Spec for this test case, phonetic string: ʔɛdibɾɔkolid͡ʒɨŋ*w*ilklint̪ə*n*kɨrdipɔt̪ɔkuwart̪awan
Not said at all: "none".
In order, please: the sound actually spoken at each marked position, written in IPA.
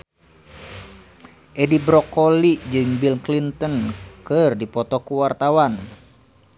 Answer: b, n

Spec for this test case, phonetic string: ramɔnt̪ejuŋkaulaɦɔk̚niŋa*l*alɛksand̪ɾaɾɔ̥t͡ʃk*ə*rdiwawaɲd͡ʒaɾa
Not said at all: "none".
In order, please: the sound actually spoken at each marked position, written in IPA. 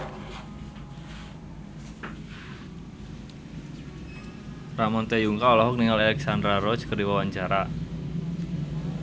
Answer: l, ə

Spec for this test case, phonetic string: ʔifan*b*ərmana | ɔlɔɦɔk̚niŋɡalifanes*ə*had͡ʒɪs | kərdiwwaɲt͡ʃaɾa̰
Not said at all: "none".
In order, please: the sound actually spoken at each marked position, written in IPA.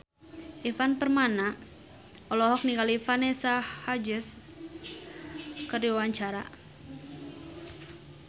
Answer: p, a

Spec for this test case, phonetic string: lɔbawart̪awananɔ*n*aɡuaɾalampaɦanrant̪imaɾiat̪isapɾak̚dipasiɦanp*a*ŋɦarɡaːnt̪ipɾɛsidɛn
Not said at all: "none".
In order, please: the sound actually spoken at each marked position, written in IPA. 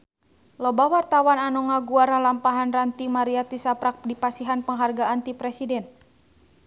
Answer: ŋ, ə

